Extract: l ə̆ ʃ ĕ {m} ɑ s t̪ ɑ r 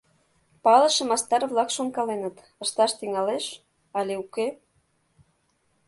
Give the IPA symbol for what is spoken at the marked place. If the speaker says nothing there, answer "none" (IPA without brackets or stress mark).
m